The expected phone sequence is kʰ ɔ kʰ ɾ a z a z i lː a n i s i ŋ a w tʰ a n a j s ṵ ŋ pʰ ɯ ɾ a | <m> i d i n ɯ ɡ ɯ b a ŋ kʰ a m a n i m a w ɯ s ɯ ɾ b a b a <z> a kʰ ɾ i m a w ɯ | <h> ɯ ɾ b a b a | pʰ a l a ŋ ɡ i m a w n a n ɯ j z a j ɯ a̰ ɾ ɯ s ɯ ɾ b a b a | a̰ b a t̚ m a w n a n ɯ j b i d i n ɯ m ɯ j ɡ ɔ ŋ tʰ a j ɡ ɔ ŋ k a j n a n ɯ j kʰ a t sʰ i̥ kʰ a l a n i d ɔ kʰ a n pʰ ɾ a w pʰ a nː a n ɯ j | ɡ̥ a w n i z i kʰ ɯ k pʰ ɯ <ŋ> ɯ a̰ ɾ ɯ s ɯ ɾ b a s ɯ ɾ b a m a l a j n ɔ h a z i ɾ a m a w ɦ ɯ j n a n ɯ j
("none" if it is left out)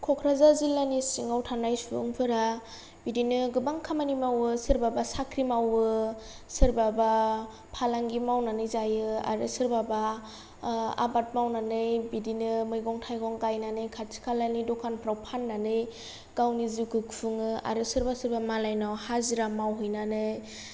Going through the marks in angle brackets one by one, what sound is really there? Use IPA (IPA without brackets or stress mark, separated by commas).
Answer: b, s, s, ŋ